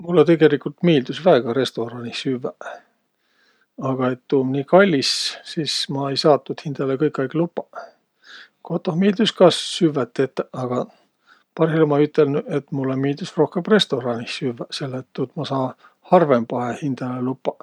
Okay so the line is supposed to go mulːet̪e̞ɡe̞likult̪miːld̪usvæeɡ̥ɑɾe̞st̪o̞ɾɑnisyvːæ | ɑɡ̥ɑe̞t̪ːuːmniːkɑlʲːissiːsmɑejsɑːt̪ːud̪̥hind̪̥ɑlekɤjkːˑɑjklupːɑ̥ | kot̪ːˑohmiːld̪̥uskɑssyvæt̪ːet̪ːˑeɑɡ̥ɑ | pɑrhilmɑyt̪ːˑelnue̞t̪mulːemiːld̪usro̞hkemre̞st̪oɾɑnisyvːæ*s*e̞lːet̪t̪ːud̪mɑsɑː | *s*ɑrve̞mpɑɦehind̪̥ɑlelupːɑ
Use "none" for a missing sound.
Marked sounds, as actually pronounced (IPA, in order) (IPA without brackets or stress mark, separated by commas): s, h